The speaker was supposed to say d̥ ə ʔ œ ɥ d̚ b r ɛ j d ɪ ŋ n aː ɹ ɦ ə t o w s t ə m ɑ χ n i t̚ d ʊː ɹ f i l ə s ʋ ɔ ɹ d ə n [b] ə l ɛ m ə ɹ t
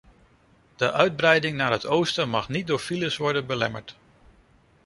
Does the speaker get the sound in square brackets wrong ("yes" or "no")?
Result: no